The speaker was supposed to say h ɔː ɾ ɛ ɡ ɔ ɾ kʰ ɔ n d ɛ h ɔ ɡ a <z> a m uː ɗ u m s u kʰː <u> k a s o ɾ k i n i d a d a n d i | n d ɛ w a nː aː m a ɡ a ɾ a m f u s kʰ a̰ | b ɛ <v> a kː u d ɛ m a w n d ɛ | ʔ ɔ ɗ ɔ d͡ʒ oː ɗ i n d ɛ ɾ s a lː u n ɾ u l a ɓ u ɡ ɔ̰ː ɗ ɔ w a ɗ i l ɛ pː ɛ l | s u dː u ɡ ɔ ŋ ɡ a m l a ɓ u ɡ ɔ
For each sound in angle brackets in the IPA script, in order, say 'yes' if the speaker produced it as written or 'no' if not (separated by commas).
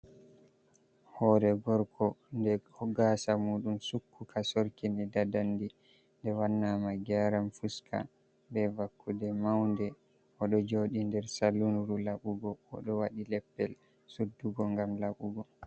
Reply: no, yes, yes